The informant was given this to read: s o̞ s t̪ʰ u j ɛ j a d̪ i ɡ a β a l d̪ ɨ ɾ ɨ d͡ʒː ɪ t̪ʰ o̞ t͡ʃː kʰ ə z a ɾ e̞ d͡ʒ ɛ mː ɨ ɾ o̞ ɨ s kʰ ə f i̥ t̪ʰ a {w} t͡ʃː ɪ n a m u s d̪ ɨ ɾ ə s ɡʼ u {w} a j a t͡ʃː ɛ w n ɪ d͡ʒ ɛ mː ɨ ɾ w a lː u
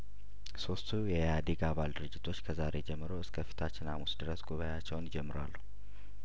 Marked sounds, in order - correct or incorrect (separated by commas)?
incorrect, incorrect